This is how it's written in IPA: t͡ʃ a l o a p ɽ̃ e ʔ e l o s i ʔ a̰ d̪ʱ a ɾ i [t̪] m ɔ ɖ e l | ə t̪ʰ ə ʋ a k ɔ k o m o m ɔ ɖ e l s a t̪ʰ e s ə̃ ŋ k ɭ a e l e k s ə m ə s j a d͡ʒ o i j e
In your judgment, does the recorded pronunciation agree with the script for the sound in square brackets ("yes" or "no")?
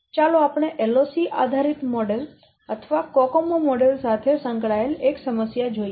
yes